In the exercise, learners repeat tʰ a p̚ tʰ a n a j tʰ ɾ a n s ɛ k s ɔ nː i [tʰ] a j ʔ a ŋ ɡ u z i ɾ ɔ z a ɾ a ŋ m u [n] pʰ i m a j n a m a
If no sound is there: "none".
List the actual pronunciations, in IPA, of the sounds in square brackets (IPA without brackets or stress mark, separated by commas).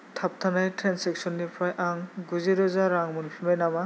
pʰ, n